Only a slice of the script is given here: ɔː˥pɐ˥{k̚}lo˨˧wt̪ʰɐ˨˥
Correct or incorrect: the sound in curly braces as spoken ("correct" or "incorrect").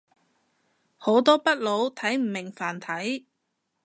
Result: incorrect